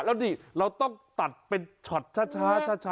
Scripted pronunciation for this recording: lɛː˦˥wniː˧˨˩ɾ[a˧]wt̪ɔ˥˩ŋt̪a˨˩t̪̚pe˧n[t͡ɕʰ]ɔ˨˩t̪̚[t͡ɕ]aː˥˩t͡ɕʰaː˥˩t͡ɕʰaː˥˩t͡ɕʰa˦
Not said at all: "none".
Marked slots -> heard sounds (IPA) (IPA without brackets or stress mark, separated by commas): a˧, t͡ɕʰ, t͡ɕʰ